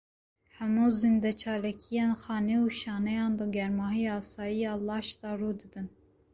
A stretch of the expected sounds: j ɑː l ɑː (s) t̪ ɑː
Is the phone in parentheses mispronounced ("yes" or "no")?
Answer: yes